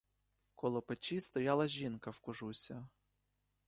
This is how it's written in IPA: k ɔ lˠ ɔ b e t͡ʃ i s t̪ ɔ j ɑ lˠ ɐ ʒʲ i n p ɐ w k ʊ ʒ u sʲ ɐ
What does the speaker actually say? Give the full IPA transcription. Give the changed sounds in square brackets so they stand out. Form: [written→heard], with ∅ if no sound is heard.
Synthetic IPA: k ɔ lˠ ɔ [b→p] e t͡ʃ i s t̪ ɔ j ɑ lˠ ɐ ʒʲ i n [p→k] ɐ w k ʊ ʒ u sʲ ɐ